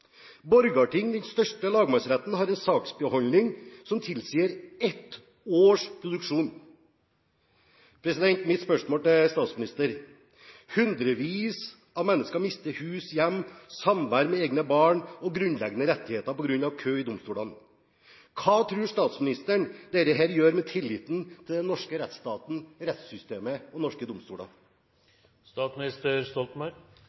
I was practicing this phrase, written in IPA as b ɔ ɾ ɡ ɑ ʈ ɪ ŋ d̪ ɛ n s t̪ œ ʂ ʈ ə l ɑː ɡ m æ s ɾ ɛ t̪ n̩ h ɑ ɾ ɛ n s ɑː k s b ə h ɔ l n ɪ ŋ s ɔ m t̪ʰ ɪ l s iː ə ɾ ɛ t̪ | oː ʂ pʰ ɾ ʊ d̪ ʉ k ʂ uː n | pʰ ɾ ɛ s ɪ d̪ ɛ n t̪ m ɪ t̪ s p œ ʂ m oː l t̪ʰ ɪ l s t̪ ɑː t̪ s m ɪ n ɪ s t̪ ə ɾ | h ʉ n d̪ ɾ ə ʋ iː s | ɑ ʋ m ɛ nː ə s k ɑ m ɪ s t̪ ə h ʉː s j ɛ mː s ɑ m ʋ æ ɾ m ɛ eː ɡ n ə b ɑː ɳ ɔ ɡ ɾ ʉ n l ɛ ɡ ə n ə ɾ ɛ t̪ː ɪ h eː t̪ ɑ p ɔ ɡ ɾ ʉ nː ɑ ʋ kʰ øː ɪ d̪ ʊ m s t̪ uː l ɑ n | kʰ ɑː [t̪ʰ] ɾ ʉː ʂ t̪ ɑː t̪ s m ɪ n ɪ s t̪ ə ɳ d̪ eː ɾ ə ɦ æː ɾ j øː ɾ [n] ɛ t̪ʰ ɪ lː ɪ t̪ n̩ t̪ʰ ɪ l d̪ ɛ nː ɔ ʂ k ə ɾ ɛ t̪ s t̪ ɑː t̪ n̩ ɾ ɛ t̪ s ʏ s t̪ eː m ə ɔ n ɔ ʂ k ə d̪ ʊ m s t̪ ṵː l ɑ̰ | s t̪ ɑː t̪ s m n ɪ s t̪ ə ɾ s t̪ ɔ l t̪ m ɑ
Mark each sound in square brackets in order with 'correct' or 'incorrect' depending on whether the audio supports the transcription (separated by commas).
correct, incorrect